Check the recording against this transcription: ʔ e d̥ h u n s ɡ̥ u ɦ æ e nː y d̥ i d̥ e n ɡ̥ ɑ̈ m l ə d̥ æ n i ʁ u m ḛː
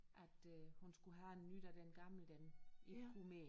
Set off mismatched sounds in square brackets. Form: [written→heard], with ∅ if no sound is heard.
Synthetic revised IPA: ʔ [e→æ] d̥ h u n s ɡ̥ u ɦ æ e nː y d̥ [i→æ] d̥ e n ɡ̥ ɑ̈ m l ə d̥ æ n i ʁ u m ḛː